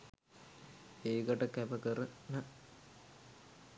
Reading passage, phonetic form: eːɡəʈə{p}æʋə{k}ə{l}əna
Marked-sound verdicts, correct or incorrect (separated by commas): incorrect, correct, incorrect